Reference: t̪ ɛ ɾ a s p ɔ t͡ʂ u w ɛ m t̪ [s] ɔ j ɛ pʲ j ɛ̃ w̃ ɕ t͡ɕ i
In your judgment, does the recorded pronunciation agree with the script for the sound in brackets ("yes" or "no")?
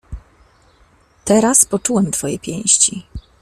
no